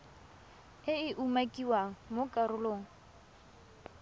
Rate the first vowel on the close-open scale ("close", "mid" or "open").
close